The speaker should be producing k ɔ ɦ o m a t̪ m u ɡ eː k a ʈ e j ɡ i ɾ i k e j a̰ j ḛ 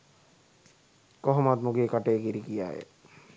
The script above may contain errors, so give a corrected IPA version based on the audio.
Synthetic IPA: k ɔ ɦ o m a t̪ m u ɡ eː k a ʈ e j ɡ i ɾ i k i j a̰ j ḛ